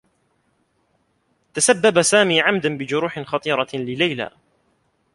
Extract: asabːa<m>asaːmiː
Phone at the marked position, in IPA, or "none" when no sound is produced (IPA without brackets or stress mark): b